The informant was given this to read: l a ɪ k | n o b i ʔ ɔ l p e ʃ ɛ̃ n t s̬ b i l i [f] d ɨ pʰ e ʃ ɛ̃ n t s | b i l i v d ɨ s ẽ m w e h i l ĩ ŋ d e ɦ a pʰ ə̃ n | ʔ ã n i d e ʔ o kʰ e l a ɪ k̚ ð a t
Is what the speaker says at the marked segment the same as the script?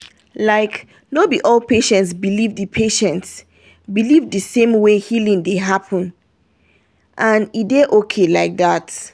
no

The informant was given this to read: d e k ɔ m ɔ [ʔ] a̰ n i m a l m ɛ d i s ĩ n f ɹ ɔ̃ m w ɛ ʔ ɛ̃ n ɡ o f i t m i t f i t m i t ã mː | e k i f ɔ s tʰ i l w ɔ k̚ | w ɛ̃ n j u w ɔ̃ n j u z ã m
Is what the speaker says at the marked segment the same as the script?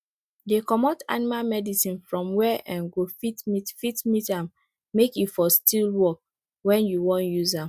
no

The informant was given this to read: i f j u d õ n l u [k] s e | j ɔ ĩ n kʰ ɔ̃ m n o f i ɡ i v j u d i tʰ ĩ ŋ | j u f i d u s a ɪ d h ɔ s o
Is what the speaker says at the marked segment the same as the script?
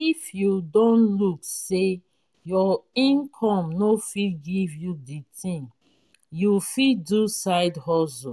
yes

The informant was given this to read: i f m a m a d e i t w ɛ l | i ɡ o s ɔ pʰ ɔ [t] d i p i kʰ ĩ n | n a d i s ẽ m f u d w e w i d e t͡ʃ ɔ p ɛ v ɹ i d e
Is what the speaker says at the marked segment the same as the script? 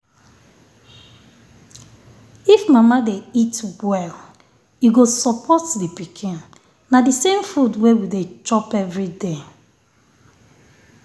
yes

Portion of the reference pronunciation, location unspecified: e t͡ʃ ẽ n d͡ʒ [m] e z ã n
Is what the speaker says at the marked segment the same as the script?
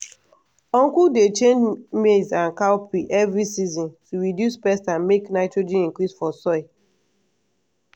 yes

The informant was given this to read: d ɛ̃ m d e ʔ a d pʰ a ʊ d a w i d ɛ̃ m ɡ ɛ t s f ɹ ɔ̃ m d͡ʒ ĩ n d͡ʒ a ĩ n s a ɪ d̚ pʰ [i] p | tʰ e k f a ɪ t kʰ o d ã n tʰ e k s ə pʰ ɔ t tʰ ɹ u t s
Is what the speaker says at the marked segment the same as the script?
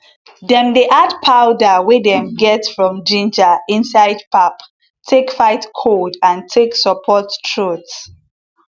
no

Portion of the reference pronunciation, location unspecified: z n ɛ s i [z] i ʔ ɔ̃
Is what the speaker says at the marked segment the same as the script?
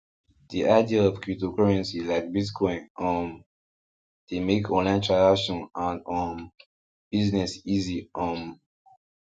yes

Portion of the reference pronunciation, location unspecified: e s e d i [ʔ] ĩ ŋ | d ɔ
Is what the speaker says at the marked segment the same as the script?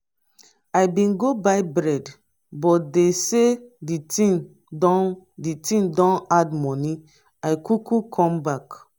no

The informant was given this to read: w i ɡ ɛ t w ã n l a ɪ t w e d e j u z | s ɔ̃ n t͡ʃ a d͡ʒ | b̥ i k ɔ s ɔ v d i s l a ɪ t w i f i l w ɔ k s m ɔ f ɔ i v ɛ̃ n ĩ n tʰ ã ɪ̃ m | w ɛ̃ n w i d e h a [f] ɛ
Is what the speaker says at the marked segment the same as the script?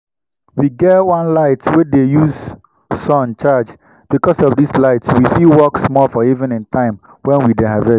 no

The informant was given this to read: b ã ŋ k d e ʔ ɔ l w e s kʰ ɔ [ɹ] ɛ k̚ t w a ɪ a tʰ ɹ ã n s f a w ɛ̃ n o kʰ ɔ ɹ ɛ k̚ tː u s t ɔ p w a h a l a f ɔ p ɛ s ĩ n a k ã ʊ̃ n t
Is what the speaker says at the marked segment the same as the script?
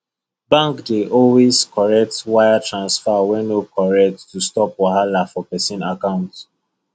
yes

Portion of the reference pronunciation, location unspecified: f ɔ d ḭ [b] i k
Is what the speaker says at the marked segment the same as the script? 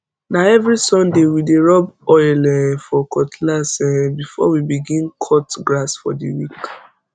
no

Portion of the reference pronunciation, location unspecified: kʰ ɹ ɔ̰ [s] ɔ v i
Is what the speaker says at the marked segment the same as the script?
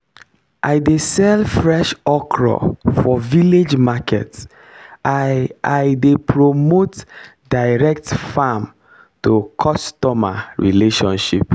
no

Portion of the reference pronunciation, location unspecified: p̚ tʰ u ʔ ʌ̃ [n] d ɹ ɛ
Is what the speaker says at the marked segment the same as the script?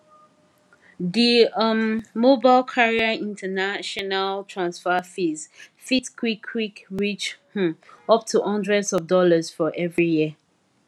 yes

